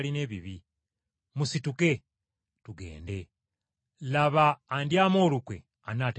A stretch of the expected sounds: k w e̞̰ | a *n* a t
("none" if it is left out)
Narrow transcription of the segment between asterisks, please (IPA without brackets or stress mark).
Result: n